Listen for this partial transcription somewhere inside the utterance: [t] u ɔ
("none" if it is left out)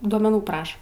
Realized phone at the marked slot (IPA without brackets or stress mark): d